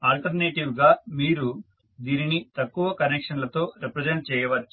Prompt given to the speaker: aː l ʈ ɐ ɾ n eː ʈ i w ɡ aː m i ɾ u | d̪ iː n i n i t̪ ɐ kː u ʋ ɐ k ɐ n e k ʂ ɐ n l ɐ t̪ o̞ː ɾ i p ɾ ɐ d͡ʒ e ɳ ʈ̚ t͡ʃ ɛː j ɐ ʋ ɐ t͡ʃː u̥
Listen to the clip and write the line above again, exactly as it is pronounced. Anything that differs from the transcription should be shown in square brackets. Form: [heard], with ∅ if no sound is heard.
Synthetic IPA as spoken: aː l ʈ ɐ ɾ n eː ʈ i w ɡ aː m [iː] ɾ u | d̪ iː n i n i t̪ ɐ kː u ʋ ɐ k ɐ n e k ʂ ɐ n l ɐ t̪ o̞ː ɾ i p ɾ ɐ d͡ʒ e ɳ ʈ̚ t͡ʃ ɛː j ɐ ʋ ɐ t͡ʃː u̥